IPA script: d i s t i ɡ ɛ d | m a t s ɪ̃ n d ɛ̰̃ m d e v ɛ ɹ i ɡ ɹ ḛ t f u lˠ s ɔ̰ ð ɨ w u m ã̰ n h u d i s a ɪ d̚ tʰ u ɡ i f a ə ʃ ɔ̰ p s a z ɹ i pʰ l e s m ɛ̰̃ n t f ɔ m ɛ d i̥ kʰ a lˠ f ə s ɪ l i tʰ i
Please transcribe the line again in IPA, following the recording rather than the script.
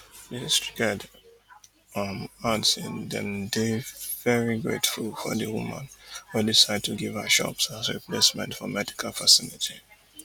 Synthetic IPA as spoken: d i s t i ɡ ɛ d | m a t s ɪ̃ n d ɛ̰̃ m d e v ɛ ɹ i ɡ ɹ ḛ t f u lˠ f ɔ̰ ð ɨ w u m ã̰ n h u d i s a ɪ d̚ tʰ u ɡ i v a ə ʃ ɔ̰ p s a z ɹ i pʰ l e s m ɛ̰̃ n t f ɔ m ɛ d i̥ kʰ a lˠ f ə s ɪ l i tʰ i